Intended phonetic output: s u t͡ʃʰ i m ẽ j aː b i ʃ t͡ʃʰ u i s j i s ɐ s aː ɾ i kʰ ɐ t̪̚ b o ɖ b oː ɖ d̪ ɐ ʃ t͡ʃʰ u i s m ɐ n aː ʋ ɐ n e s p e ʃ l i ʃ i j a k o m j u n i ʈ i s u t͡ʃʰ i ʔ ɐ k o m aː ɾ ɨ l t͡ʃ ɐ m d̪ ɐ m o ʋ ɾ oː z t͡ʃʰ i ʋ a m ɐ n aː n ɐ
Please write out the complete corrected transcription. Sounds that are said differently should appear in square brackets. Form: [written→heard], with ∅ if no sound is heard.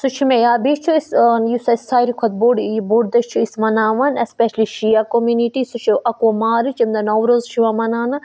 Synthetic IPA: s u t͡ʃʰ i m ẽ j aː b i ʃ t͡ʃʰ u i s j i s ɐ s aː ɾ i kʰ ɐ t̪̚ b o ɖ b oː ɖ d̪ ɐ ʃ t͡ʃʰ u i s m ɐ n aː ʋ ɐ n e s p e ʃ l i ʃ i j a k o m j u n i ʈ i s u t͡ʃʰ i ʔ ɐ k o m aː ɾ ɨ [l→∅] t͡ʃ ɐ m d̪ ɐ [m→n] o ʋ ɾ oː z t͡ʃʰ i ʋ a m ɐ n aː n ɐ